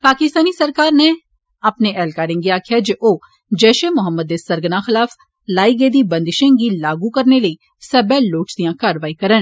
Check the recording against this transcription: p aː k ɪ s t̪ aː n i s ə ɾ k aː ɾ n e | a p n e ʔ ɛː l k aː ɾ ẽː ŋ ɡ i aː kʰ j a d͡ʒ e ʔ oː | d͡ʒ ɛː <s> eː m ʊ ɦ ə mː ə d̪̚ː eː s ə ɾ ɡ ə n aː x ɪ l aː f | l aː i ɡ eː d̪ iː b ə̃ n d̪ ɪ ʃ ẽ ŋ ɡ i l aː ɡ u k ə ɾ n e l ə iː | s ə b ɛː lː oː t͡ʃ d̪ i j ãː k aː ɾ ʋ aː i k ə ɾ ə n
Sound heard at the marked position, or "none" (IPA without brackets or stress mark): ʃ